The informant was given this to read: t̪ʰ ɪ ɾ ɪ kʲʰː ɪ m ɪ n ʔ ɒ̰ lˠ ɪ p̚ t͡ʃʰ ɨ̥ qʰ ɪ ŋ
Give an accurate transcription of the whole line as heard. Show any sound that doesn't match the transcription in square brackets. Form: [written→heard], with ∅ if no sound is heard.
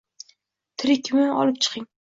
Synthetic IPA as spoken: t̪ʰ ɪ ɾ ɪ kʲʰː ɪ m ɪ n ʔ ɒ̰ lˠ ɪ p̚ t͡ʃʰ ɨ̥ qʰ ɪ ŋ